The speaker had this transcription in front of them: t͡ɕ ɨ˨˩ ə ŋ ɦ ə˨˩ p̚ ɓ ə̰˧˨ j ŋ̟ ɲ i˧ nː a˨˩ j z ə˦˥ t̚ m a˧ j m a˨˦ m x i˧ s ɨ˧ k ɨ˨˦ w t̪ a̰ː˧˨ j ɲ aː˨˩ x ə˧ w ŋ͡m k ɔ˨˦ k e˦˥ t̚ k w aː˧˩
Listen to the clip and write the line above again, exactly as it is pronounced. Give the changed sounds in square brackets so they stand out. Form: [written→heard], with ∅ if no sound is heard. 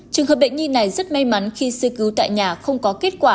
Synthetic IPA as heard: t͡ɕ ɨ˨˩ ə ŋ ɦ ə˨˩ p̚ ɓ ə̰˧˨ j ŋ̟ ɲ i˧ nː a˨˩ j z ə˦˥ t̚ m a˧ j m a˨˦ [m→n] x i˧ s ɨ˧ k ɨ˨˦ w t̪ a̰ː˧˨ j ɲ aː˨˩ x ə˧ w ŋ͡m k ɔ˨˦ k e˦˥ t̚ k w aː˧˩